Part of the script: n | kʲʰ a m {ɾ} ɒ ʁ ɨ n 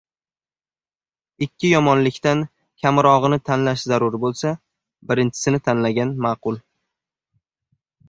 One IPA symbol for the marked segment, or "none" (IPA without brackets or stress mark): ɾ